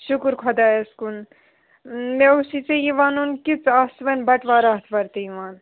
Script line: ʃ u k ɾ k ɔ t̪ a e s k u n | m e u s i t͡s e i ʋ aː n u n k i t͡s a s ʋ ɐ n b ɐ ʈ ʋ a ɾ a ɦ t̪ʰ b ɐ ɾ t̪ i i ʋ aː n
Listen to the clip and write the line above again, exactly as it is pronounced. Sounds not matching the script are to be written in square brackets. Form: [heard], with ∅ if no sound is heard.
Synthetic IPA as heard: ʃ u k ɾ [kʰ] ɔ [d̪] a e s k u n | m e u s i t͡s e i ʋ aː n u n k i t͡s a s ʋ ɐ n b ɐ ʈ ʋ a ɾ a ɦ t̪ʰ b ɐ ɾ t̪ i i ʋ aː n